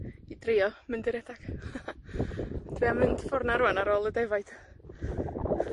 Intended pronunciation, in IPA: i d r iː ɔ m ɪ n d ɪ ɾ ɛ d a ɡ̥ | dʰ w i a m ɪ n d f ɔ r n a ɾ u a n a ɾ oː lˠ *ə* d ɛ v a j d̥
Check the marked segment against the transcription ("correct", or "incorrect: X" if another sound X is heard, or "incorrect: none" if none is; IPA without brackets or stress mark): correct